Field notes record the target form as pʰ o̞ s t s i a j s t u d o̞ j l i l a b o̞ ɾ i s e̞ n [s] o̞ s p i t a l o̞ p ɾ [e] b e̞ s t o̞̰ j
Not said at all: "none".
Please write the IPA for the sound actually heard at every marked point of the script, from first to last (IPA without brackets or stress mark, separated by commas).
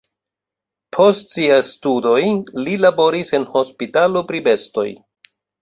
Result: h, i